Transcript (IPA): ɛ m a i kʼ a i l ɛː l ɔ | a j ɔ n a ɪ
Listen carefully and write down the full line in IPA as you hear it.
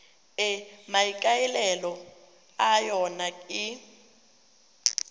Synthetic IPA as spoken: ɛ m a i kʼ a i l ɛ l ɔ | a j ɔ n a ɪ